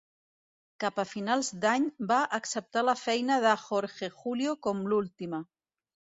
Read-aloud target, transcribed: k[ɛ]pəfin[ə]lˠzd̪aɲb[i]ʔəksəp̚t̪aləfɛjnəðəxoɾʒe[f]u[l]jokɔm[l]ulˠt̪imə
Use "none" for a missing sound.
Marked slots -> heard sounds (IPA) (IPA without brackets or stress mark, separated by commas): a, a, a, x, l, l